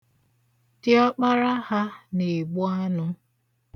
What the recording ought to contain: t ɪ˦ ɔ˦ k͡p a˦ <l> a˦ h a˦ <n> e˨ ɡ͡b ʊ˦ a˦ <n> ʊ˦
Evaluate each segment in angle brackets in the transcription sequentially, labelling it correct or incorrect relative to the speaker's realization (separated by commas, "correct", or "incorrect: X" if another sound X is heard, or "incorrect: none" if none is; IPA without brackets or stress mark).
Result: incorrect: ɾ, correct, correct